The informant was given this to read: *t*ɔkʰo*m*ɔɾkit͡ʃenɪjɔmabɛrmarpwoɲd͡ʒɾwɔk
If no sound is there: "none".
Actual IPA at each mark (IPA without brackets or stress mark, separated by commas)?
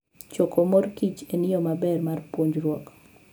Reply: t͡ʃ, m